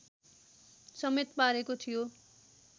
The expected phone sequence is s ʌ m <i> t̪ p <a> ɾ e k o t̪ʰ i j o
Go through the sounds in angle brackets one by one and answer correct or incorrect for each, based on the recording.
incorrect, correct

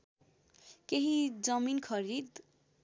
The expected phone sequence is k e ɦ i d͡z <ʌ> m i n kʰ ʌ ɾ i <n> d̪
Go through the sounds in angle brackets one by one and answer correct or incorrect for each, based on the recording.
correct, incorrect

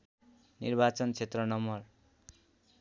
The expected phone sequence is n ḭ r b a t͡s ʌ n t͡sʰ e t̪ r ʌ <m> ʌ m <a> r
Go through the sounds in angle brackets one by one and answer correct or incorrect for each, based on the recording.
incorrect, incorrect

